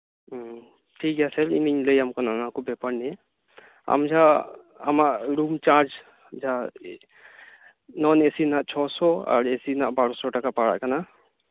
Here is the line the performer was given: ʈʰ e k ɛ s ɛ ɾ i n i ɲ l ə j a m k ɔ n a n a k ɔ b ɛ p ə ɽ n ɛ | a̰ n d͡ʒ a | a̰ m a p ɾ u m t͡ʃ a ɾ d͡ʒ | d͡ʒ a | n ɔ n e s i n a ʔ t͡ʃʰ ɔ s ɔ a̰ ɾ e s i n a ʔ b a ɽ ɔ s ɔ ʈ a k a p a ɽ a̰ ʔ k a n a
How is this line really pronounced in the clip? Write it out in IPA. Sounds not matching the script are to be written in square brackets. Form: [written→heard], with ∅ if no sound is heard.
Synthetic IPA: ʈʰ [e→i] k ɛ s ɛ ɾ i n i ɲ l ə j a m k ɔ n a n a k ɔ b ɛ p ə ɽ n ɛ | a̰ [n→m] d͡ʒ a | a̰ m a [p→ʔ] ɾ u m t͡ʃ a ɾ d͡ʒ | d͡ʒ a | n ɔ n e s i n a ʔ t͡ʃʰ ɔ s ɔ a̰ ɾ e s i n a ʔ b a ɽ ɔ s ɔ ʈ a k a p a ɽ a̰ ʔ k a n a